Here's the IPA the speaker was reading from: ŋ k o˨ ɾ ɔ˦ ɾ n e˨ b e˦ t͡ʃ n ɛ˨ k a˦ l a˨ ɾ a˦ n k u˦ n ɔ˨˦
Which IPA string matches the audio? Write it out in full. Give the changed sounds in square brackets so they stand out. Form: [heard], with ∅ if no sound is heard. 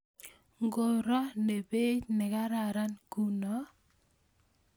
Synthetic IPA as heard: ŋ [ɡ] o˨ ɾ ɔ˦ [∅] n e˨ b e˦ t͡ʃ n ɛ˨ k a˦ [ɾ] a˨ ɾ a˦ n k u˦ n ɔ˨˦